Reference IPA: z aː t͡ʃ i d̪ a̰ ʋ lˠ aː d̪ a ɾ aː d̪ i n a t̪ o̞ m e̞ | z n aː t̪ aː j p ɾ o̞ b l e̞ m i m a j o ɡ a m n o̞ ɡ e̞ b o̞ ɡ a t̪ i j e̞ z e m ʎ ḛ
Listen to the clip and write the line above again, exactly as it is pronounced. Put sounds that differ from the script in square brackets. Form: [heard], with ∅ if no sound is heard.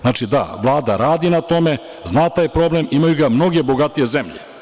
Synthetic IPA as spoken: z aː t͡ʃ i d̪ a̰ ʋ lˠ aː d̪ a ɾ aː d̪ i n a t̪ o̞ m e̞ | z n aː t̪ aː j p ɾ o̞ b l e̞ m i m a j [u] ɡ a m n o̞ ɡ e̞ b o̞ ɡ a t̪ i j e̞ z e m ʎ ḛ